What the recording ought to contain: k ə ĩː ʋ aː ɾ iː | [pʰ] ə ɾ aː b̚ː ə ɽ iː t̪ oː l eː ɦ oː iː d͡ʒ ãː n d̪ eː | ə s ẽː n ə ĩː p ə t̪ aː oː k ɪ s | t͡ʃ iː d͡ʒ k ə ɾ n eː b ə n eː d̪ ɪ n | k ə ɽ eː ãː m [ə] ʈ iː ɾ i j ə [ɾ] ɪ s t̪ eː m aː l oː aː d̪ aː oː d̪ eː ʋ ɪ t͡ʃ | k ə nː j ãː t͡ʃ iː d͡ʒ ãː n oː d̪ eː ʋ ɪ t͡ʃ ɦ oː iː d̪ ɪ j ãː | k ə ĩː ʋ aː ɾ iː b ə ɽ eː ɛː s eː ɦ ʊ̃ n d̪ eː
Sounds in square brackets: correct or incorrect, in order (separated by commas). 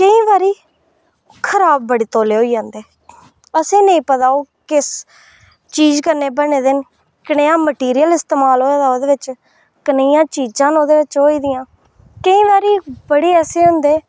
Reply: incorrect, correct, incorrect